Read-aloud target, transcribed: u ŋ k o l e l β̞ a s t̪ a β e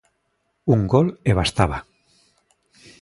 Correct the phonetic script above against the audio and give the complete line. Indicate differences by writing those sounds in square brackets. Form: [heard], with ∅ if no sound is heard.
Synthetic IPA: u ŋ [ɡ] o l e [∅] β̞ a s t̪ a β [a]